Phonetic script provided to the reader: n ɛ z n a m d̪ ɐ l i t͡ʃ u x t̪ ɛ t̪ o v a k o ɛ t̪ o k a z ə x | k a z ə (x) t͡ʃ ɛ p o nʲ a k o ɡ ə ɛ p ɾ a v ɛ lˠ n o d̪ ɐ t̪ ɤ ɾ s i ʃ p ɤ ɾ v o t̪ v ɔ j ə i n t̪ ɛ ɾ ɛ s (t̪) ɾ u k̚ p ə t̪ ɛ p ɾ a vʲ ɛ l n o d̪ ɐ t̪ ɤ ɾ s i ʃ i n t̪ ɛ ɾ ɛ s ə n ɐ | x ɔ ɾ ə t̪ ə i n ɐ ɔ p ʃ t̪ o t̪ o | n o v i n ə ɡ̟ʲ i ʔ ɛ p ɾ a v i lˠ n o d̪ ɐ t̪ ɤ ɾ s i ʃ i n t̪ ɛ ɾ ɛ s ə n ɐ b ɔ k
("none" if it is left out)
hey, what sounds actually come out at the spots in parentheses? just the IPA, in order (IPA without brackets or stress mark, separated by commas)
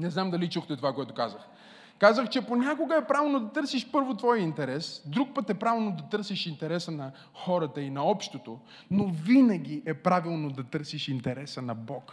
x, d̪